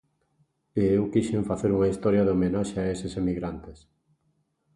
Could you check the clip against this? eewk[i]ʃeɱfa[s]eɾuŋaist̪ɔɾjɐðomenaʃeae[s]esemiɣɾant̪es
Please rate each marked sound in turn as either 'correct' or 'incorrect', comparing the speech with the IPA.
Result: correct, incorrect: θ, correct

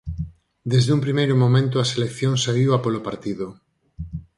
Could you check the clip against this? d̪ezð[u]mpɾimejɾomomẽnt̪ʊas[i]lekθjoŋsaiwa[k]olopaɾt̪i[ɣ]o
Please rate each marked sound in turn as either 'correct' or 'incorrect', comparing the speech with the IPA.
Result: correct, incorrect: e, incorrect: p, incorrect: ð

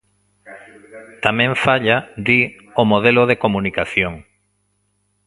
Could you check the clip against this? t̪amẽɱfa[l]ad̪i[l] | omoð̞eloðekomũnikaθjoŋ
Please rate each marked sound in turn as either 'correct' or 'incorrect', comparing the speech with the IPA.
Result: incorrect: ʎ, incorrect: none

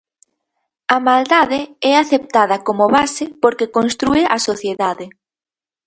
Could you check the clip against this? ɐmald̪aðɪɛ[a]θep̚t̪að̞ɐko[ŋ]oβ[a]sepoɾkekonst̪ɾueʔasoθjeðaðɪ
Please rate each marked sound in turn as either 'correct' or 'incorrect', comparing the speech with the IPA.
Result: correct, incorrect: m, correct

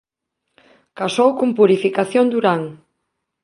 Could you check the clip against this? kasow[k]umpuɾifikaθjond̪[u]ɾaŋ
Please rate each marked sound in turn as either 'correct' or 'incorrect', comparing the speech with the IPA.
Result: correct, correct

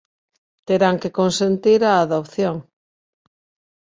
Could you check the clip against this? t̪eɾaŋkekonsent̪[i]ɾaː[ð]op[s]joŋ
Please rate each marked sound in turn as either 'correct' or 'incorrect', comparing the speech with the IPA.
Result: correct, correct, incorrect: θ

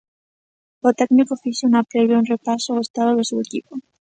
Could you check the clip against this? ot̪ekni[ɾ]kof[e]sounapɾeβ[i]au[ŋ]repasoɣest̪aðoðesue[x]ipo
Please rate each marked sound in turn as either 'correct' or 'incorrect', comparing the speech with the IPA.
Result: incorrect: none, incorrect: i, incorrect: j, incorrect: n, incorrect: k

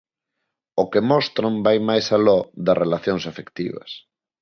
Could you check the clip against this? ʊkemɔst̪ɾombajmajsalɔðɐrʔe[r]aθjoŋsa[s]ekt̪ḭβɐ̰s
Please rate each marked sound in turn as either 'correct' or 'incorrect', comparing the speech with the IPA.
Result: incorrect: l, incorrect: f

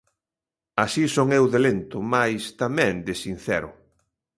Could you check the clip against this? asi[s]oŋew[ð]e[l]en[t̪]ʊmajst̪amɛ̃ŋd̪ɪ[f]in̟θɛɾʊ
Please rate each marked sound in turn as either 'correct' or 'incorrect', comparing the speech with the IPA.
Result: correct, correct, correct, correct, incorrect: s

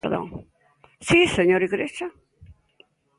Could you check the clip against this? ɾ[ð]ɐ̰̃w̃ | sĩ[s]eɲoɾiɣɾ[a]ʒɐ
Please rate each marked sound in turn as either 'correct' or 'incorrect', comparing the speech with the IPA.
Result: correct, correct, incorrect: e

